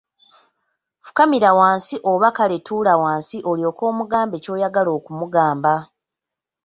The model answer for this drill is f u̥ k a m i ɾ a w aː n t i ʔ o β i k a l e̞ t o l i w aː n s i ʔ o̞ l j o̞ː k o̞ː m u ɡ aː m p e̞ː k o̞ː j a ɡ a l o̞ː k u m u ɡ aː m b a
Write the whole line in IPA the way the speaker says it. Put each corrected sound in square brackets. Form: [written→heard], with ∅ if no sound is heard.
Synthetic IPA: f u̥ k a m i ɾ a w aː n [t→s] i ʔ o β [i→a] k a l e̞ t [o→u] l [i→a] w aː n s i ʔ o̞ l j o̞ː k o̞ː m u ɡ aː m [p→b] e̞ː [k→c] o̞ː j a ɡ a l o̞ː k u m u ɡ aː m b a